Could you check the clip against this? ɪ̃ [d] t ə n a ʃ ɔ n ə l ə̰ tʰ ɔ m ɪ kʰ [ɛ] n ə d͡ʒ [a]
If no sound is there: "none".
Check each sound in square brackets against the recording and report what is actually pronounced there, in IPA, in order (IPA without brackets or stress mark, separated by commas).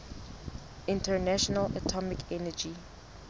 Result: n, ɛ, i